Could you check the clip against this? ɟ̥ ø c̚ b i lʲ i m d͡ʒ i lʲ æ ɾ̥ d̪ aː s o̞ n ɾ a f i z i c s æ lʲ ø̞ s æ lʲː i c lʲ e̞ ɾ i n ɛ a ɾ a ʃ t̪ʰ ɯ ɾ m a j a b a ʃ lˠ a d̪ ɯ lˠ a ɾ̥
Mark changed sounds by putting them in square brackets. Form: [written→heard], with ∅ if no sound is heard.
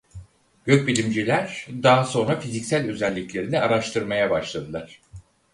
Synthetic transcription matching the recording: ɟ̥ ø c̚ b i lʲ i m d͡ʒ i lʲ æ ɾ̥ d̪ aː s o̞ n ɾ a f i z i c s æ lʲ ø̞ [s→z] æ lʲː i c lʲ e̞ ɾ i n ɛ a ɾ a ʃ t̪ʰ ɯ ɾ m a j a b a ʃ lˠ a d̪ ɯ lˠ a ɾ̥